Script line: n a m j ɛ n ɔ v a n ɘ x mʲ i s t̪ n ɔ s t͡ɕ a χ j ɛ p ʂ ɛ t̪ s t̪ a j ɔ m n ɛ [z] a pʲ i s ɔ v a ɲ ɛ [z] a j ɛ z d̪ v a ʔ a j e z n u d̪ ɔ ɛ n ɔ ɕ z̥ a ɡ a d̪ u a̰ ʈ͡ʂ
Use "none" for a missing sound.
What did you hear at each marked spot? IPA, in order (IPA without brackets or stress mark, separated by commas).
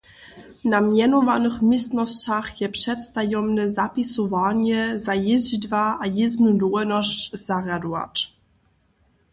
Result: z, z